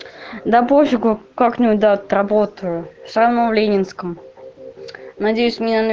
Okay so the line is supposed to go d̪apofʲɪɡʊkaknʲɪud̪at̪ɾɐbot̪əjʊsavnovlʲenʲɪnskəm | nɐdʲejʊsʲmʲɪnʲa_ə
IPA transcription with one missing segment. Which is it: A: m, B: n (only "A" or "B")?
B